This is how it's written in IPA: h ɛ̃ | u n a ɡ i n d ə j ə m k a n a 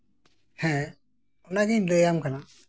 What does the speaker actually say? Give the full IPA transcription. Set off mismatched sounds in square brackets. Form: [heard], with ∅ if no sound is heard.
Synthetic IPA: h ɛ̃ | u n a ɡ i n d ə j [a] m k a n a